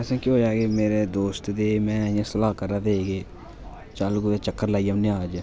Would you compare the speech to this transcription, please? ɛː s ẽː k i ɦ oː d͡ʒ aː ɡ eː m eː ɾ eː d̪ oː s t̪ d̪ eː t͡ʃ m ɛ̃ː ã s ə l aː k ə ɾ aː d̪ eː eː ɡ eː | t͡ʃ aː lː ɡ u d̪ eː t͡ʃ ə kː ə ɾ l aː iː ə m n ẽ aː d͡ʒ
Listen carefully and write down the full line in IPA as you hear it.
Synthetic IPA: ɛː s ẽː k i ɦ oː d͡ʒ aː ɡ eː m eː ɾ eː d̪ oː s t̪ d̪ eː m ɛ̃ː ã s ə l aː k ə ɾ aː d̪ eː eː ɡ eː | t͡ʃ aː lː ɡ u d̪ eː t͡ʃ ə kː ə ɾ l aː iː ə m n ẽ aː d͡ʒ